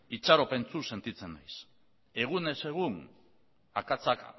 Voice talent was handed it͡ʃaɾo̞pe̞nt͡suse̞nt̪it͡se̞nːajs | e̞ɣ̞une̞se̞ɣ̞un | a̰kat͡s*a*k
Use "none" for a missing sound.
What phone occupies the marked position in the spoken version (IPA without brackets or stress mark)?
a